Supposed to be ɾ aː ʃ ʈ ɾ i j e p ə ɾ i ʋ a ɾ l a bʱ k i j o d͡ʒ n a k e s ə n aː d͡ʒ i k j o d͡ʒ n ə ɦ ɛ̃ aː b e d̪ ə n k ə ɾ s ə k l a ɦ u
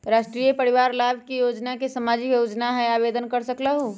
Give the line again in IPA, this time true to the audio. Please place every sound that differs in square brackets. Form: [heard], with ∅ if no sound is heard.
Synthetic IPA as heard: ɾ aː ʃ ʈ ɾ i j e p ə ɾ i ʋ a ɾ l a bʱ k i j o d͡ʒ n a k e s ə [m] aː d͡ʒ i k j o d͡ʒ n [a] ɦ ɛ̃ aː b e d̪ ə n k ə ɾ s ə k l a ɦ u